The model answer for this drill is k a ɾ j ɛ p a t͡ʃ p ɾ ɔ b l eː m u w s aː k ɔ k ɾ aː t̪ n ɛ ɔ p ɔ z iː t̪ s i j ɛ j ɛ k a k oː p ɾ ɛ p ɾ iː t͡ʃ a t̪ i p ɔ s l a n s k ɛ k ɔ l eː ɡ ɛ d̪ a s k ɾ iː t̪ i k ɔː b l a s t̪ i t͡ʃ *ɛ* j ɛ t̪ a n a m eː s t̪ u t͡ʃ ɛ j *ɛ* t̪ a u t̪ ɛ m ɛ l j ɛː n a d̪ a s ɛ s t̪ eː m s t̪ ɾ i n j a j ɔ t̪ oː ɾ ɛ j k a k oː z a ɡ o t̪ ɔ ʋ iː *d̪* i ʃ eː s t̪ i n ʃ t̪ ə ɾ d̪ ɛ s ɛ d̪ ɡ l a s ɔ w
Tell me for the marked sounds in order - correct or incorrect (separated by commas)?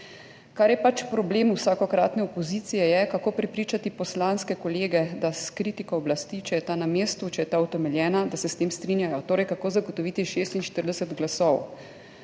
correct, correct, incorrect